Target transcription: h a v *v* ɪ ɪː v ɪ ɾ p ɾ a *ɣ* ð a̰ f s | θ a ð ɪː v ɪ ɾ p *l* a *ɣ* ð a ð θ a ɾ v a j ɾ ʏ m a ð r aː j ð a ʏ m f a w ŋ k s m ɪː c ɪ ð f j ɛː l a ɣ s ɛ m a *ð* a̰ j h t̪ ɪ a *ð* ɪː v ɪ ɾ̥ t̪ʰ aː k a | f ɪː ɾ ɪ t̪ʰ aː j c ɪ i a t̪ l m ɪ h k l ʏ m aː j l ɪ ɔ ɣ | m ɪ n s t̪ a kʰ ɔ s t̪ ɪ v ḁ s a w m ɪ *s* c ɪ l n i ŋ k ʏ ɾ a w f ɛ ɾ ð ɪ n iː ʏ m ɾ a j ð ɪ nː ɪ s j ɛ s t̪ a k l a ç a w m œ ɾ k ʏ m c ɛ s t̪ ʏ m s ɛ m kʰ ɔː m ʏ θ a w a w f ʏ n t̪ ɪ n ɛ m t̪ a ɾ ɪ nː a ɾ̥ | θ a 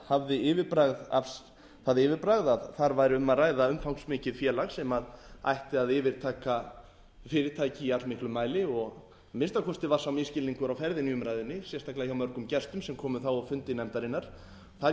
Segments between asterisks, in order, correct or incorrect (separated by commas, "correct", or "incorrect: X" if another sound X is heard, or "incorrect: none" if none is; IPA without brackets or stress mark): incorrect: ð, correct, incorrect: ɾ, correct, correct, correct, correct